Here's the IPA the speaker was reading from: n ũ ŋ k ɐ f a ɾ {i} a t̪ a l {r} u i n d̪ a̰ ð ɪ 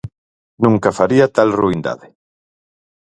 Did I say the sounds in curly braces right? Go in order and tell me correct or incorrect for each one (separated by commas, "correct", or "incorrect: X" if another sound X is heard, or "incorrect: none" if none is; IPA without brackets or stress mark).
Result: correct, correct